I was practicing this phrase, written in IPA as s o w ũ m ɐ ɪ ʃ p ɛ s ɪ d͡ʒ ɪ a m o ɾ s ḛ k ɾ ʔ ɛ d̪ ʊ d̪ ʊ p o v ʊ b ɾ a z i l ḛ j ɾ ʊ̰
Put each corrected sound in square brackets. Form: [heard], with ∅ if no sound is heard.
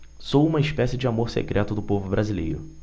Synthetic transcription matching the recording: s o w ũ m ɐ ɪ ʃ p ɛ s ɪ d͡ʒ ɪ a m o ɾ s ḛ k ɾ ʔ ɛ [t̪] ʊ d̪ ʊ p o v ʊ b ɾ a z i l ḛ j ɾ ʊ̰